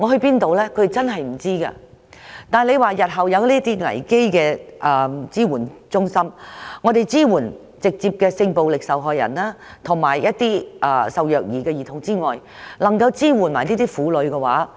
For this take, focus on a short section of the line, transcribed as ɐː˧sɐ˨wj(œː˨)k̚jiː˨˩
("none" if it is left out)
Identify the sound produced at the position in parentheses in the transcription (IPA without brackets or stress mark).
œː˨